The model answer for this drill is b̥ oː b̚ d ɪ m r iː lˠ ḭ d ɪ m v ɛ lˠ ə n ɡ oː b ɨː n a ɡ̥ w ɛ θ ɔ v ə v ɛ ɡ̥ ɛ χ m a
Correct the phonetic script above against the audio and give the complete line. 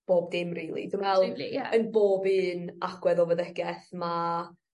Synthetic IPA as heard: b̥ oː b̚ d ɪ m r iː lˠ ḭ d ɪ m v ɛ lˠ ə n b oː b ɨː n a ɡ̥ w ɛ ð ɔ v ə ð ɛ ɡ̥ ɛ θ m a